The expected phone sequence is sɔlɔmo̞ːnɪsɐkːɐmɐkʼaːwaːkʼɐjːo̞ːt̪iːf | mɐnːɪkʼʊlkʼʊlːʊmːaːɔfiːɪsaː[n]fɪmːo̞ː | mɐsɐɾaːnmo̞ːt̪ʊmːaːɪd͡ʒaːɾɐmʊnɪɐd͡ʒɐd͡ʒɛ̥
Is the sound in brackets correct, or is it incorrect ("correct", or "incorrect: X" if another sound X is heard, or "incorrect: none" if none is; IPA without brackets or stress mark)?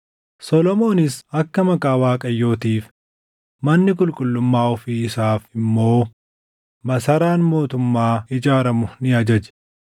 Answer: incorrect: none